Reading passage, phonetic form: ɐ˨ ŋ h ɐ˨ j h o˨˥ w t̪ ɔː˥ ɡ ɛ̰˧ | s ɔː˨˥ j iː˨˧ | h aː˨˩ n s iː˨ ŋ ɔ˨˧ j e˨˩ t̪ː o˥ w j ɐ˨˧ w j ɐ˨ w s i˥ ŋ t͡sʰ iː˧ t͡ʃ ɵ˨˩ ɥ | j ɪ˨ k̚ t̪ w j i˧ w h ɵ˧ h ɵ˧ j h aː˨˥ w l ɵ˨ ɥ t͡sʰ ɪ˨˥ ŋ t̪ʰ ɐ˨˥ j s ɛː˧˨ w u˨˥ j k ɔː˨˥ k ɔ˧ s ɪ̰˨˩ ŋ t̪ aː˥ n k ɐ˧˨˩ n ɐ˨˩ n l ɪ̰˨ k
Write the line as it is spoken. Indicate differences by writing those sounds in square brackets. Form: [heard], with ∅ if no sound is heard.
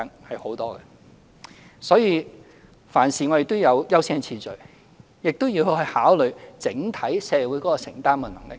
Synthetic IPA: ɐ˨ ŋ h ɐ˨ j h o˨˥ w t̪ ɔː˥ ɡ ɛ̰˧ | s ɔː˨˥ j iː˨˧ | [f] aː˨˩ n s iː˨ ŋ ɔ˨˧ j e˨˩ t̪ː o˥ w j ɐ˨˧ w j [ɐ˥] w s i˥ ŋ t͡sʰ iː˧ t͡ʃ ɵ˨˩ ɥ | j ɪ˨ k̚ t̪ w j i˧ w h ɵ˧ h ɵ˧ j h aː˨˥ w l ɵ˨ ɥ [t͡s] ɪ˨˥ ŋ t̪ʰ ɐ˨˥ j s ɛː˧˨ w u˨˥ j k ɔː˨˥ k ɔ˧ s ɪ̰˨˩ ŋ t̪ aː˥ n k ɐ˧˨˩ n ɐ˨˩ [ŋ] l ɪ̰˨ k